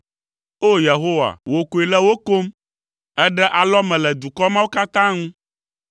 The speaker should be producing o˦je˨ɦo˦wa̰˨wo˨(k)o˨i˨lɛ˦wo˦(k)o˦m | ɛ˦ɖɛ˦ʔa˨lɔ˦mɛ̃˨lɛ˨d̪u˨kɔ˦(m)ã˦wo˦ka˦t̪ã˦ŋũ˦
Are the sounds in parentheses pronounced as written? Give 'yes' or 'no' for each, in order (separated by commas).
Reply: yes, yes, yes